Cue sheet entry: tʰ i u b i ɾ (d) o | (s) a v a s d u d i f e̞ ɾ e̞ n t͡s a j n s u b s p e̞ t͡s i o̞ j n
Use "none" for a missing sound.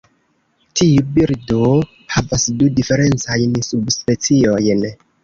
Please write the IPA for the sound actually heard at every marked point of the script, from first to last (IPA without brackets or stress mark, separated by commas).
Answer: d, h